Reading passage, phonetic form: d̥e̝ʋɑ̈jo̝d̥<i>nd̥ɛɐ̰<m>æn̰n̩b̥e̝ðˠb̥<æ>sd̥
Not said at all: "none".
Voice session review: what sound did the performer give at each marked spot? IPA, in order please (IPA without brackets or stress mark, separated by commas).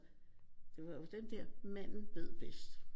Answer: e, m, e